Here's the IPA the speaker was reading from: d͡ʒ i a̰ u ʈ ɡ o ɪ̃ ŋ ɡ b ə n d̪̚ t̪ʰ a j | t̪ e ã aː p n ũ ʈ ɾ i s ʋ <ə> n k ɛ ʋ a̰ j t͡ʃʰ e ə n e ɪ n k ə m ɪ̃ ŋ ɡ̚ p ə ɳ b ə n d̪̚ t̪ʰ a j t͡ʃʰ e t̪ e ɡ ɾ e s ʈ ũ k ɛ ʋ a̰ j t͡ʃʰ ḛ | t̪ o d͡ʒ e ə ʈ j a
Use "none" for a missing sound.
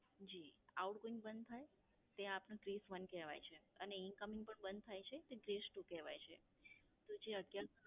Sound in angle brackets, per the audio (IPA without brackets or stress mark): ə